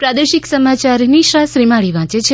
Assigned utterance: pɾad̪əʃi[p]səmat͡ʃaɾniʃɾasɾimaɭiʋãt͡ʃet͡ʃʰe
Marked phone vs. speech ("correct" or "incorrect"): incorrect